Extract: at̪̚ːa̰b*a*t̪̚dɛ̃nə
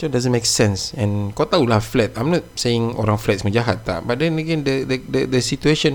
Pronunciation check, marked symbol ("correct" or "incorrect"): correct